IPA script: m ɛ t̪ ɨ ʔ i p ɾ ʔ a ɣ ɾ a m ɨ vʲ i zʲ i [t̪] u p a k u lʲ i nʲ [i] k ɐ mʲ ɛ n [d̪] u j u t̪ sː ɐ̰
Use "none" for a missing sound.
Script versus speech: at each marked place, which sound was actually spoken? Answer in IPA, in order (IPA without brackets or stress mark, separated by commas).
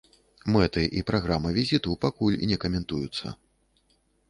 t̪, ɛ, t̪